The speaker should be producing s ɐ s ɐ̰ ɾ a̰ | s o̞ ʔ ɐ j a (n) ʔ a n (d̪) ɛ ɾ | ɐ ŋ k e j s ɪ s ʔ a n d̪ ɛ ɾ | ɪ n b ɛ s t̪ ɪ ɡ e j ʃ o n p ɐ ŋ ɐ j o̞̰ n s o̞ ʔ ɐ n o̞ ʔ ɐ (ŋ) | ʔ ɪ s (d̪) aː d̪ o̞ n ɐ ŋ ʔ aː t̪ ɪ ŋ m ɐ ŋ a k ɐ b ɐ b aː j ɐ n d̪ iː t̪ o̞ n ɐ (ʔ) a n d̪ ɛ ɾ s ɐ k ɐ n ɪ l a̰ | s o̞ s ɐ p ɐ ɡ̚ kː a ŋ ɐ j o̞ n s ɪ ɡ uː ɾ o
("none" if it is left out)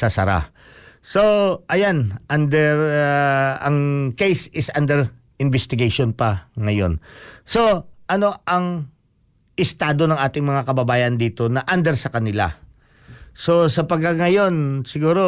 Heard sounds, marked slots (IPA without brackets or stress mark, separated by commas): n, d̪, ŋ, t̪, ʔ